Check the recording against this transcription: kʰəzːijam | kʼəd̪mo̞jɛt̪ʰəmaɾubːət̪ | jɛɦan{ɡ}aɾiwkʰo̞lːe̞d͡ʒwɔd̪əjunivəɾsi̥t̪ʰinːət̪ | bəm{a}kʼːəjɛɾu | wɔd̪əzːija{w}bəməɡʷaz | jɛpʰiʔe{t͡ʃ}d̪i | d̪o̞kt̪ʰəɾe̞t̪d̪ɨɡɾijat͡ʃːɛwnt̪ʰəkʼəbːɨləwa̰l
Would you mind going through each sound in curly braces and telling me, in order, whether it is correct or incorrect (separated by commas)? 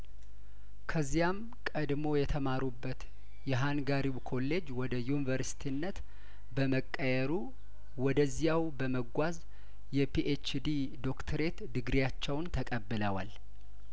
correct, incorrect, correct, correct